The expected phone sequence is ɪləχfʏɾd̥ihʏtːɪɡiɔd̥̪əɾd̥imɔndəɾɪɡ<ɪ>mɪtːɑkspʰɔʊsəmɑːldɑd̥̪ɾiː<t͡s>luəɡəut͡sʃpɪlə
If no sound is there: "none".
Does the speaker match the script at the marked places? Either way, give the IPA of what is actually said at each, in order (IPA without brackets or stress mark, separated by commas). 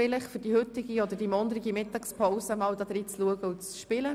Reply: i, t͡s